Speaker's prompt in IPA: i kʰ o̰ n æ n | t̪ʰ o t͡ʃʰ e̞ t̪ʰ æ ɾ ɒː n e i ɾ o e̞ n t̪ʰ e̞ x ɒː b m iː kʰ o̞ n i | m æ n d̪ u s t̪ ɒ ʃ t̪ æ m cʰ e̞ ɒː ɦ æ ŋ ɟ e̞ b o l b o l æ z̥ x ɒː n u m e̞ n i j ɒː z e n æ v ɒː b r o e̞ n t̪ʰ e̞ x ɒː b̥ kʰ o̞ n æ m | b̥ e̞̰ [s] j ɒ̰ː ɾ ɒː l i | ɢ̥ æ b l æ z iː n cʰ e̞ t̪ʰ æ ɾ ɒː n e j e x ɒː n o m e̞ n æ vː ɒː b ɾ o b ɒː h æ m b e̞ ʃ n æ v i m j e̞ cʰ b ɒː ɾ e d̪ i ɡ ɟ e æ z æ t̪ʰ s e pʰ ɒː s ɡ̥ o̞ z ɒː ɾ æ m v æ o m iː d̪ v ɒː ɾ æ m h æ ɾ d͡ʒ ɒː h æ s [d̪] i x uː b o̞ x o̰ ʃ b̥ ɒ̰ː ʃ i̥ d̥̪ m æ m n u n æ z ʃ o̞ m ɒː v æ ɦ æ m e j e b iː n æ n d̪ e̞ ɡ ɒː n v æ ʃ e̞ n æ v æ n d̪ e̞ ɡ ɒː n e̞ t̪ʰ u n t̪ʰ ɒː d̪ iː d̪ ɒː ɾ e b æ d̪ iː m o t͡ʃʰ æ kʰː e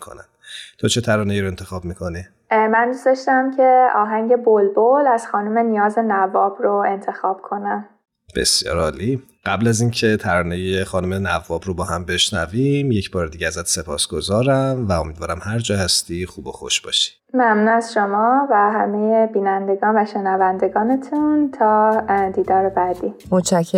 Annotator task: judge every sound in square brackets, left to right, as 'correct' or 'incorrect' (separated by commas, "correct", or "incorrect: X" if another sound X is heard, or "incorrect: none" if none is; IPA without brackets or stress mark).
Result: correct, incorrect: t̪